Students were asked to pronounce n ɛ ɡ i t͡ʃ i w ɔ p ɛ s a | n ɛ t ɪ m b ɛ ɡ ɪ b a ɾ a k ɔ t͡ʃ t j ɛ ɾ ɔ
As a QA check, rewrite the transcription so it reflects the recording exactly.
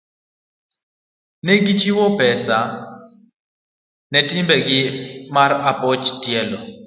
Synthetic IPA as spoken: n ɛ ɡ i t͡ʃ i w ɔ p ɛ s a | n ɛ t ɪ m b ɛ ɡ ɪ m a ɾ a p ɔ t͡ʃ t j ɛ l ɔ